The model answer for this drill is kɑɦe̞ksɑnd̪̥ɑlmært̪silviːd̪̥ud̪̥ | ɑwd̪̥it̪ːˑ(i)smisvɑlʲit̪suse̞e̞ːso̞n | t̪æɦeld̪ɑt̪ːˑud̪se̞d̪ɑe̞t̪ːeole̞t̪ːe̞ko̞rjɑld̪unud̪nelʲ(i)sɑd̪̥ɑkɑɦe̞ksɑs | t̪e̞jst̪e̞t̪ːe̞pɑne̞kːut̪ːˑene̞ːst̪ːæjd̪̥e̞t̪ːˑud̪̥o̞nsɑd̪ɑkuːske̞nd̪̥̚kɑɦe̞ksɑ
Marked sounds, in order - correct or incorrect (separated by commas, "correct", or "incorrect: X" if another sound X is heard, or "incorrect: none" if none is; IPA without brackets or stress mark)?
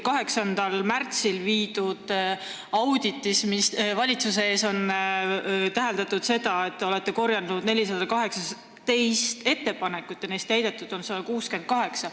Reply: correct, correct